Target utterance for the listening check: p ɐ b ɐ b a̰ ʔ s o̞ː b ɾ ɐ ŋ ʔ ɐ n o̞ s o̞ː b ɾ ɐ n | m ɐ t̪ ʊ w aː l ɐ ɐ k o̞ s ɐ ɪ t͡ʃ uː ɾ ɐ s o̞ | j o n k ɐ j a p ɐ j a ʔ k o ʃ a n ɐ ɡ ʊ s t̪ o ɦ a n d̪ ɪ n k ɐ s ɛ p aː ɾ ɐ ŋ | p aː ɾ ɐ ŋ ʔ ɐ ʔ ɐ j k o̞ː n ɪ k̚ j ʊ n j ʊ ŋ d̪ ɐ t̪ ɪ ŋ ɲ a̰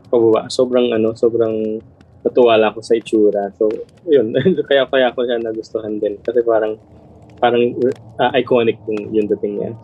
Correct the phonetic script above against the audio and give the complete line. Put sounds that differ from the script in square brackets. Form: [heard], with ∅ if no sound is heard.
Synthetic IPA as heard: p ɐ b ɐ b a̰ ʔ s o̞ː b ɾ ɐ ŋ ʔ ɐ n o̞ s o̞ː b ɾ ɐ [ŋ] | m ɐ t̪ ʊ w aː l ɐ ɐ k o̞ s ɐ ɪ t͡ʃ uː ɾ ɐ s o̞ | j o n k ɐ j a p ɐ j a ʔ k o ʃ a n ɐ ɡ ʊ s t̪ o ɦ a n d̪ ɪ n k ɐ s ɛ p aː ɾ ɐ ŋ | p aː ɾ ɐ ŋ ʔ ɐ ʔ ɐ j k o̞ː n ɪ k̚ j ʊ [ŋ] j ʊ ŋ d̪ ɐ t̪ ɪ ŋ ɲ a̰